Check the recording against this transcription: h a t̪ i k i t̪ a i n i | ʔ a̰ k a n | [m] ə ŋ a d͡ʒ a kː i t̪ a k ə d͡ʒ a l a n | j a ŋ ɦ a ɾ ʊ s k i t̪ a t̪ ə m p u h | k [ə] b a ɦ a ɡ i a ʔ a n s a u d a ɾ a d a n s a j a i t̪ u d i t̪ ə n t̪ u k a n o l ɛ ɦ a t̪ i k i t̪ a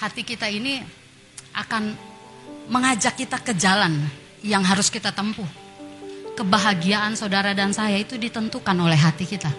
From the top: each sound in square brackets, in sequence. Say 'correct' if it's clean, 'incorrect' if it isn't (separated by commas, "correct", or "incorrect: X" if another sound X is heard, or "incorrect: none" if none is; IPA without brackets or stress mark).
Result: correct, correct